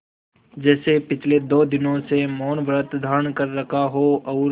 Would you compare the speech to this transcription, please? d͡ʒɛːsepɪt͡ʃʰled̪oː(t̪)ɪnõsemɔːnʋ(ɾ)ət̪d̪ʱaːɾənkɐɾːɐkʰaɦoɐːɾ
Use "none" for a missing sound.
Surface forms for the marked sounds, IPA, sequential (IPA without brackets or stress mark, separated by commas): d̪, ɾ